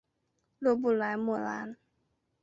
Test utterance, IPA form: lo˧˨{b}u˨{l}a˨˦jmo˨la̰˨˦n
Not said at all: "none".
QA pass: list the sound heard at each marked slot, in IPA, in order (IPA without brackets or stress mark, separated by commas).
b, l